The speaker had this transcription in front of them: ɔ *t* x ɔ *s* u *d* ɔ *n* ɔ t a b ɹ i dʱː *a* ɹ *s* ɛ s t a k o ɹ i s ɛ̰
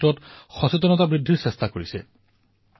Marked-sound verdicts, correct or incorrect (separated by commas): correct, correct, incorrect, correct, incorrect, correct